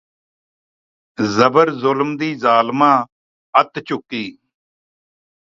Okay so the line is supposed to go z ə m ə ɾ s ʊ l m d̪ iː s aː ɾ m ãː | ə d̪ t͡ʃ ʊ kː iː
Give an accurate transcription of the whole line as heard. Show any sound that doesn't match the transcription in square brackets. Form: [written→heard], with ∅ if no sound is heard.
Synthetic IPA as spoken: z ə [m→b] ə ɾ [s→z] ʊ l m d̪ iː [s→z] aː [ɾ→l] m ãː | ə [d̪→t̪] t͡ʃ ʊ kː iː